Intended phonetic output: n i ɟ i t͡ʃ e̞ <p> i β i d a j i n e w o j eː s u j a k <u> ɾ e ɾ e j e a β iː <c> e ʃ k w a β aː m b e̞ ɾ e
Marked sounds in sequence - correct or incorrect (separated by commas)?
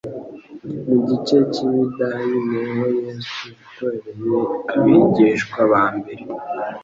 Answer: incorrect, incorrect, incorrect